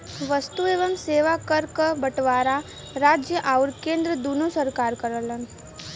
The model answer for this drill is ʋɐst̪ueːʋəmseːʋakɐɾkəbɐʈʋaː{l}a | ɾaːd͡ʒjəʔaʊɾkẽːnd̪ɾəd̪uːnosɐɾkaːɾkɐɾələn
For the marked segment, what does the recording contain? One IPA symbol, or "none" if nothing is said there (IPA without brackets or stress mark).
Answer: ɾ